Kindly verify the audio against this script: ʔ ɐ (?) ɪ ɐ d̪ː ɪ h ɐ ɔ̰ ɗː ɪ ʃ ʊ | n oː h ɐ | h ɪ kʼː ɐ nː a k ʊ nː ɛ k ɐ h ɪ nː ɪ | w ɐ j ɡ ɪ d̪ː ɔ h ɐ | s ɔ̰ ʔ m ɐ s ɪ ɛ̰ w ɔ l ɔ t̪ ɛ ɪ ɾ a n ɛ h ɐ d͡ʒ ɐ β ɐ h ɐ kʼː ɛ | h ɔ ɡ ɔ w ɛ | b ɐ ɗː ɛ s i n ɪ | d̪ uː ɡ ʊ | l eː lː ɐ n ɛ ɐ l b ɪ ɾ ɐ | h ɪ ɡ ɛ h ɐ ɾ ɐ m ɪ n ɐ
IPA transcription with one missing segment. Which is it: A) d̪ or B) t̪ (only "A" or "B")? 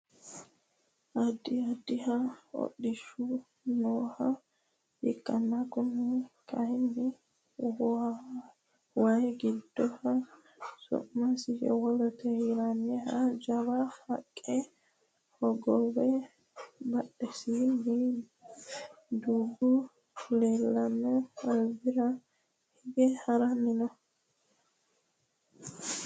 A